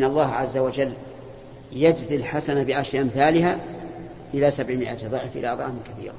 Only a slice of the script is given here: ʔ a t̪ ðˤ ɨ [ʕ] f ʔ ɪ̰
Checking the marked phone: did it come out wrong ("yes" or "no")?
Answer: no